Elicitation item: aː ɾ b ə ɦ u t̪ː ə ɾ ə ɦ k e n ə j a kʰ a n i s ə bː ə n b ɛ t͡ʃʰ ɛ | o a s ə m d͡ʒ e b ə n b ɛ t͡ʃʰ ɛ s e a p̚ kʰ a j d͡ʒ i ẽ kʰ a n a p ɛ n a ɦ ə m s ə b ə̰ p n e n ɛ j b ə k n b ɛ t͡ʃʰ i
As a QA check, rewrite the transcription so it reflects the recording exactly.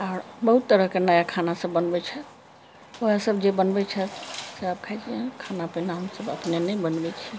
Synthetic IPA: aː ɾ b ə ɦ u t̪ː ə ɾ ə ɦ k e n ə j a kʰ a n a s ə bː ə n b ɛ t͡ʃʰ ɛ | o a s ə b d͡ʒ e b ə n b ɛ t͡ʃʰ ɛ s e a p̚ kʰ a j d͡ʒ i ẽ kʰ a n a p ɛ n a ɦ ə m s ə b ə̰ p n e n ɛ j b ə n b ɛ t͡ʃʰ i